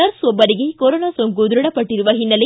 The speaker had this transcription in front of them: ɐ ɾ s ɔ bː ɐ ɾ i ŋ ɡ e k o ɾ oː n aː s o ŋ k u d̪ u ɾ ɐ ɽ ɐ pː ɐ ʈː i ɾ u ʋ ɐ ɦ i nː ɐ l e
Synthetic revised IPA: ɐ ɾ s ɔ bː ɐ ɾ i ɡ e k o ɾ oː n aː s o ŋ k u d̪ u ɾ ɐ ɽ ɐ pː ɐ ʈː i ɾ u ʋ ɐ ɦ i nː ɐ l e

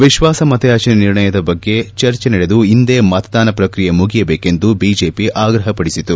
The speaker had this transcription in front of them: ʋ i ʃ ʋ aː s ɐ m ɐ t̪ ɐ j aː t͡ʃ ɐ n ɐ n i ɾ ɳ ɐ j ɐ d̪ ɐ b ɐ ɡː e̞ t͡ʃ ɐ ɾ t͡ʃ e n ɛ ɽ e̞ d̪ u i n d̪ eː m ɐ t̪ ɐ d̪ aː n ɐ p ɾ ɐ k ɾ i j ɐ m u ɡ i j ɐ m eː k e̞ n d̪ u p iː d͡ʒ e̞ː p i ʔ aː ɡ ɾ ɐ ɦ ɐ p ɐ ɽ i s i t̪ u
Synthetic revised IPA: ʋ i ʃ ʋ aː s ɐ m ɐ t̪ ɐ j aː t͡ʃ ɐ n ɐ n i ɾ ɳ ɐ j ɐ d̪ ɐ b ɐ ɡː e̞ t͡ʃ ɐ ɾ t͡ʃ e n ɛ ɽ e̞ d̪ u i n d̪ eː m ɐ t̪ ɐ d̪ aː n ɐ p ɾ ɐ k ɾ i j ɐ m u ɡ i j ɐ b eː k e̞ n d̪ u b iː d͡ʒ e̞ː p i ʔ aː ɡ ɾ ɐ ɦ ɐ p ɐ ɽ i s i t̪ u

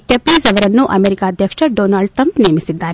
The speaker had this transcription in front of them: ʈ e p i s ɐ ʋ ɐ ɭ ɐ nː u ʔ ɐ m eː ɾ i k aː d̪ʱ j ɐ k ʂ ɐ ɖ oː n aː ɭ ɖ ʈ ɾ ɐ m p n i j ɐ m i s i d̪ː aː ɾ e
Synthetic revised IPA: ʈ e p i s ɐ ʋ ɐ ɾ ɐ nː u ʔ ɐ m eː ɾ i k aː d̪ʱ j ɐ k ʂ ɐ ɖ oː n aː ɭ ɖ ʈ ɾ ɐ m p n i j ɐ m i s i d̪ː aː ɾ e

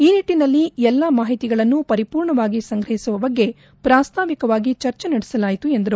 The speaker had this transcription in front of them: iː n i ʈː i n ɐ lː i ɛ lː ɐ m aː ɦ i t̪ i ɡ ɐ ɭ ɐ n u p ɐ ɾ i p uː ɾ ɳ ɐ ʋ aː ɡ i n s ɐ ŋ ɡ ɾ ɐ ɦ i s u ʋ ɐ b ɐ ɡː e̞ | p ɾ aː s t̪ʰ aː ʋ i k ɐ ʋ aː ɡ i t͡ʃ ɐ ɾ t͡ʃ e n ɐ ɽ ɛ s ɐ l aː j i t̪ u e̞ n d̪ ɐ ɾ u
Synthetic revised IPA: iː n i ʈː i n ɐ lː i ɛ lː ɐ m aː ɦ i t̪ i ɡ ɐ ɭ ɐ nː u p ɐ ɾ i p uː ɾ ɳ ɐ ʋ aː ɡ i s ɐ ŋ ɡ ɾ ɐ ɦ i s u ʋ ɐ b ɐ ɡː e̞ | p ɾ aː s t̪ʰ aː ʋ i k ɐ ʋ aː ɡ i t͡ʃ ɐ ɾ t͡ʃ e n ɐ ɽ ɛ s ɐ l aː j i t̪ u e̞ n d̪ ɐ ɾ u

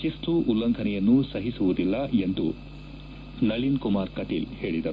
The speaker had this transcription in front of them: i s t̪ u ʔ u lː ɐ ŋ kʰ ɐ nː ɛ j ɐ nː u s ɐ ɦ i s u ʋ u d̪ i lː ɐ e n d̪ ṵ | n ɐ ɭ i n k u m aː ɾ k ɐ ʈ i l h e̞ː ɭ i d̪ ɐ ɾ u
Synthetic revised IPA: i s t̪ u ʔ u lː ɐ ŋ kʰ ɐ n ɛ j ɐ nː u s ɐ ɦ i s u ʋ u d̪ i lː ɐ e n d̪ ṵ | n ɐ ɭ i n k u m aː ɾ k ɐ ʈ i l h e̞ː ɭ i d̪ ɐ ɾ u

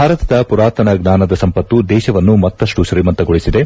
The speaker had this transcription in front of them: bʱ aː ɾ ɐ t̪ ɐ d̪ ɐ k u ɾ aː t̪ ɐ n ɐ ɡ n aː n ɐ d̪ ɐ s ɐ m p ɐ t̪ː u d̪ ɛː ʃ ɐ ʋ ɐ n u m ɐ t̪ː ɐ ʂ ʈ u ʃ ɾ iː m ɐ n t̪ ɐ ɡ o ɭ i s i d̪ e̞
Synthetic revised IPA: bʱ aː ɾ ɐ t̪ ɐ d̪ ɐ p u ɾ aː t̪ ɐ n ɐ ɡ n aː n ɐ d̪ ɐ s ɐ m p ɐ t̪ː u d̪ ɛː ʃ ɐ ʋ ɐ nː u m ɐ t̪ː ɐ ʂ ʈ u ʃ ɾ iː m ɐ n t̪ ɐ ɡ o ɭ i s i d̪ e̞

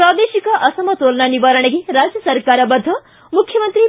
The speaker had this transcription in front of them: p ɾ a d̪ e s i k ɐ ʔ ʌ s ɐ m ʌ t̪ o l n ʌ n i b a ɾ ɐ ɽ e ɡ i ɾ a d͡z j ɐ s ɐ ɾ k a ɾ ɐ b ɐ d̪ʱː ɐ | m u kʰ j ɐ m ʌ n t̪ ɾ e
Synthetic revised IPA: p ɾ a d̪ e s i k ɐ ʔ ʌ s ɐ m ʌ t̪ o l n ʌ n i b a ɾ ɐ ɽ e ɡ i ɾ a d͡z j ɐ s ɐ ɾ k a ɾ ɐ b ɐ d̪ʱː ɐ | m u kʰ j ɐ m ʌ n t̪ ɾ i

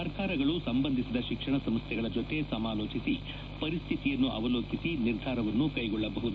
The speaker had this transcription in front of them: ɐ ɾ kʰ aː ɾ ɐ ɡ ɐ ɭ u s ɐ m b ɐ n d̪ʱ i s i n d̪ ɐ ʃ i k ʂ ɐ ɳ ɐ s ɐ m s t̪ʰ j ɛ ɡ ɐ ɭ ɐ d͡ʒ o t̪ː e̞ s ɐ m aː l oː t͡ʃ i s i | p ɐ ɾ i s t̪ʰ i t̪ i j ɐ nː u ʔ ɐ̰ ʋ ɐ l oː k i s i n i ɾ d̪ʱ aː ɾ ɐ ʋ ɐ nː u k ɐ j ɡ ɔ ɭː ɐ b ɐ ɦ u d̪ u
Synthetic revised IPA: ɐ ɾ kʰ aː ɾ ɐ ɡ ɐ ɭ u s ɐ m b ɐ n d̪ʱ i s i d̪ ɐ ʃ i k ʂ ɐ ɳ ɐ s ɐ m s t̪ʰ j ɛ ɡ ɐ ɭ ɐ d͡ʒ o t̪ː e̞ s ɐ m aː l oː t͡ʃ i s i | p ɐ ɾ i s t̪ʰ i t̪ i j ɐ nː u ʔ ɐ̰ ʋ ɐ l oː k i s i n i ɾ d̪ʱ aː ɾ ɐ ʋ ɐ nː u k ɐ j ɡ ɔ ɭː ɐ b ɐ ɦ u d̪ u

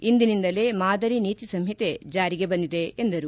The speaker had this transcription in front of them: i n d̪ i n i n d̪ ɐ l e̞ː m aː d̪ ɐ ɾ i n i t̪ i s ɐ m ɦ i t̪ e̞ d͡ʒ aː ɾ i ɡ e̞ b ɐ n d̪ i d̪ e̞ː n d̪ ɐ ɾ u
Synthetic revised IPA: i n d̪ i n i n d̪ ɐ l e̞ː m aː d̪ ɐ ɾ i n iː t̪ i s ɐ m ɦ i t̪ e̞ d͡ʒ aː ɾ i ɡ e̞ b ɐ n d̪ i d̪ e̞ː n d̪ ɐ ɾ u

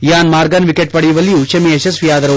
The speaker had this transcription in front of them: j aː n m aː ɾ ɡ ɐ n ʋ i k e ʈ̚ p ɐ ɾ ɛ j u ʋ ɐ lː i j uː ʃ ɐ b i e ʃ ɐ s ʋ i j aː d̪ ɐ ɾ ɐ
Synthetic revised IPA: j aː n m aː ɾ ɡ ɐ n ʋ i k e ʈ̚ p ɐ ɽ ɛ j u ʋ ɐ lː i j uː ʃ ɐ m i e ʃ ɐ s ʋ i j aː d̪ ɐ ɾ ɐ

